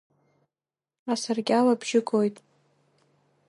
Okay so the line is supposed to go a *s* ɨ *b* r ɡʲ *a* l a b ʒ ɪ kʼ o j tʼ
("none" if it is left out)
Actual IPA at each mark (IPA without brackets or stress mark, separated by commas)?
s, none, a